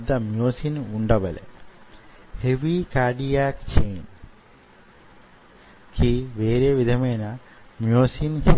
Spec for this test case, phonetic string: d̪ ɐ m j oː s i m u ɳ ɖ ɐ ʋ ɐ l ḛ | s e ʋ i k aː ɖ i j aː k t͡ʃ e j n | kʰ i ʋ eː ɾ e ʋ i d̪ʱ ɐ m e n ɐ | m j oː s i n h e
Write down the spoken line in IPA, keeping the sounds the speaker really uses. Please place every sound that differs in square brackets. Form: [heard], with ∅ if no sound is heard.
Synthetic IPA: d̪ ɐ m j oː s i [n] u ɳ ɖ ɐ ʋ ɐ l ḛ | [h] e ʋ i k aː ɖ i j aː k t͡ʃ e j n | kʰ i ʋ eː ɾ e ʋ i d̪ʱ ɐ m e n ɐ | m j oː s i n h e